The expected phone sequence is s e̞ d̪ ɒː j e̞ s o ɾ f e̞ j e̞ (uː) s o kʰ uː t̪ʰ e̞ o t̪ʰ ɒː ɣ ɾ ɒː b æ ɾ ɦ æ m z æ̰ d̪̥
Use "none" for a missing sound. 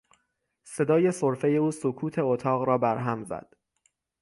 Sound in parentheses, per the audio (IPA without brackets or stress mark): uː